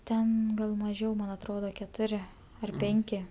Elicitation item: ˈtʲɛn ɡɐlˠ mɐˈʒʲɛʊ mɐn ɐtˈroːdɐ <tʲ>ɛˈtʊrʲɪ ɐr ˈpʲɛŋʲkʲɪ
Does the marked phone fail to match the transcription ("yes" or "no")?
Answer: yes